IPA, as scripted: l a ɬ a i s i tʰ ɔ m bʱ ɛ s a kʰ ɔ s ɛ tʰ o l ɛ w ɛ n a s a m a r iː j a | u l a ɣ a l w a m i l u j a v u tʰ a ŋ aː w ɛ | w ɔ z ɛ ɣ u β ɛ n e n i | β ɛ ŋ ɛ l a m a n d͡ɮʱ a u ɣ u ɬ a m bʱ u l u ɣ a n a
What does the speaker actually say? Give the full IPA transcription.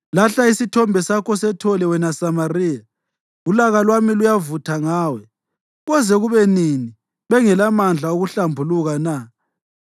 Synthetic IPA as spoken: l a ɬ a i s i tʰ ɔ m bʱ ɛ s a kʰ ɔ s ɛ tʰ ɔ l ɛ w ɛ n a s a m a r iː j a | u l a ɣ a l w a m i l u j a v u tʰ a ŋ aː w ɛ | ɣ ɔ z ɛ ɣ u β ɛ n i n i | β ɛ ŋ ɛ l a m a n d͡ɮʱ a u ɣ u ɬ a m bʱ u l u ɣ a n a